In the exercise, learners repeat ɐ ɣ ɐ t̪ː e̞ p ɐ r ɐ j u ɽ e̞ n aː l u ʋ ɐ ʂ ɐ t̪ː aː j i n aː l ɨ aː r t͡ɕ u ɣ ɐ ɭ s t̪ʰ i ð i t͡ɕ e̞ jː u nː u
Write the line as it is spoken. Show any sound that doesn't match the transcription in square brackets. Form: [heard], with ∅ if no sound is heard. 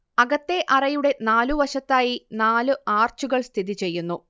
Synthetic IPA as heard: ɐ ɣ ɐ t̪ː e̞ [ʔ] ɐ r ɐ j u ɽ e̞ n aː l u ʋ ɐ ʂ ɐ t̪ː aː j i n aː l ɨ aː r t͡ɕ u ɣ ɐ ɭ s t̪ʰ i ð i t͡ɕ e̞ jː u nː u